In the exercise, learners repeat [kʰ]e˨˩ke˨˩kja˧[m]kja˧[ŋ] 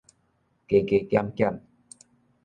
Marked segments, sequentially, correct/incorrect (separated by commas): incorrect, correct, incorrect